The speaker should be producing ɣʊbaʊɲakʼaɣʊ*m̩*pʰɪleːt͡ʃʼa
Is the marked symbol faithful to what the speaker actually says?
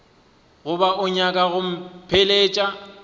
yes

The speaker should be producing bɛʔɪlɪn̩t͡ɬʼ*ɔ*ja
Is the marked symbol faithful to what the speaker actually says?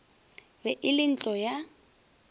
yes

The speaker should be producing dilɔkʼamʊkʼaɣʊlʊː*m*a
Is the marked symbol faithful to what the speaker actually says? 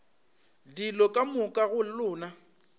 no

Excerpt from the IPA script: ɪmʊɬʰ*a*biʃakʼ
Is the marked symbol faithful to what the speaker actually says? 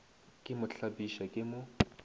yes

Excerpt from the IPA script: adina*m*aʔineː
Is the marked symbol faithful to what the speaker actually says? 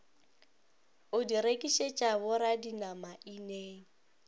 yes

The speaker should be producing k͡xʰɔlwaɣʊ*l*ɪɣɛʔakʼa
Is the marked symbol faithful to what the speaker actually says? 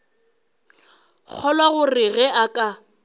no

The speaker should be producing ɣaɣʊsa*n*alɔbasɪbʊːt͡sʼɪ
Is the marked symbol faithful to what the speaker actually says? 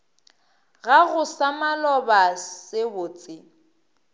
no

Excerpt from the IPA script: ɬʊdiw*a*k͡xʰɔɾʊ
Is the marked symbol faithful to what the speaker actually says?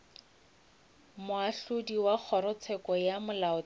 yes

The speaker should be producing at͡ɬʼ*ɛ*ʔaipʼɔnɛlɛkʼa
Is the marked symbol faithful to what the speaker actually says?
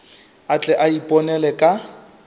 yes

